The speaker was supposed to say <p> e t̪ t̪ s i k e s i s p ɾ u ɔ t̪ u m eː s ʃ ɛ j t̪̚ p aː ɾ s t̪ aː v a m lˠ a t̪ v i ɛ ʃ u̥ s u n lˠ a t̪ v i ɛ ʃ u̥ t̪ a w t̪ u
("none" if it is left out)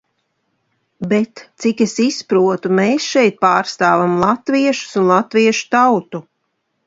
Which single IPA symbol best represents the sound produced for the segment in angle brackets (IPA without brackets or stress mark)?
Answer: b